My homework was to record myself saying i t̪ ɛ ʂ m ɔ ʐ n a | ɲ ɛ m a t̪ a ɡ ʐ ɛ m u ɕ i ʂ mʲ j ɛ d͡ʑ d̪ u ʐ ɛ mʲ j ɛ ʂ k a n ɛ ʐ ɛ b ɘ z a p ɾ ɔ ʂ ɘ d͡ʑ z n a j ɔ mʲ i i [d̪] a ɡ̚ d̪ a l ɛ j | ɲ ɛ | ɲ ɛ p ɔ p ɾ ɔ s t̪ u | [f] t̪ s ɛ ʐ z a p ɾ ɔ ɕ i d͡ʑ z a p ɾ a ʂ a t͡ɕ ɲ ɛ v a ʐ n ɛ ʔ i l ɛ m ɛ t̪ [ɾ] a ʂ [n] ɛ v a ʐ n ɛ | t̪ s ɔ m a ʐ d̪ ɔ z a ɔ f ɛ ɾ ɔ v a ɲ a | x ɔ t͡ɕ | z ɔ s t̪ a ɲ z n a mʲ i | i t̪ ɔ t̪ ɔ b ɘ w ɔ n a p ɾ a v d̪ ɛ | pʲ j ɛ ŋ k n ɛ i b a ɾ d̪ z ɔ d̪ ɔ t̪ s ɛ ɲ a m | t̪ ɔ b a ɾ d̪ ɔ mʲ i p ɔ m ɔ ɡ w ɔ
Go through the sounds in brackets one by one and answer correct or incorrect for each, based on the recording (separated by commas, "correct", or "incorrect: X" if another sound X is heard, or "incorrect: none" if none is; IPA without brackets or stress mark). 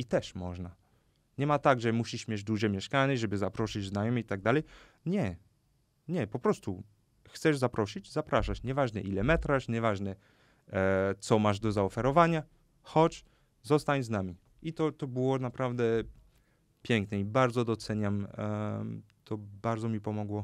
incorrect: t̪, incorrect: x, correct, incorrect: ɲ